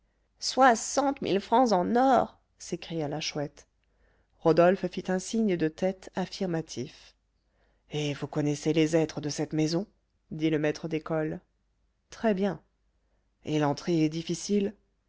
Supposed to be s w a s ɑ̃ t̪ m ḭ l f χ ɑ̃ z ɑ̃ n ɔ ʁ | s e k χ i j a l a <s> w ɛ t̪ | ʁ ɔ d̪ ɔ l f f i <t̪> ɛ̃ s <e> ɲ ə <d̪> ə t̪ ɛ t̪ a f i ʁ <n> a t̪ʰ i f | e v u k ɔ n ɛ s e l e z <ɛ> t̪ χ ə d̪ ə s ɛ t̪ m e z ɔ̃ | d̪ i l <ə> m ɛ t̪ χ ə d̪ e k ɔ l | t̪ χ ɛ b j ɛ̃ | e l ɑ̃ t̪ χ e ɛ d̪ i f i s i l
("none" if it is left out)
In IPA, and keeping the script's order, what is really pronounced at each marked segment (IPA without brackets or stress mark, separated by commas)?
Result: ʃ, t̪, i, d̪, m, ɛ, ə